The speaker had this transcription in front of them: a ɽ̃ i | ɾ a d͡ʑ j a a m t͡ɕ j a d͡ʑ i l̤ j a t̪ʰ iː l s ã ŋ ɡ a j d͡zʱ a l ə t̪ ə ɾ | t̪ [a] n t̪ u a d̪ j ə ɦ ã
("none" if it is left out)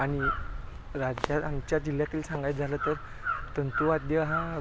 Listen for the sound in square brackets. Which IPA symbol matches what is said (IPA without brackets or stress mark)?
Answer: ə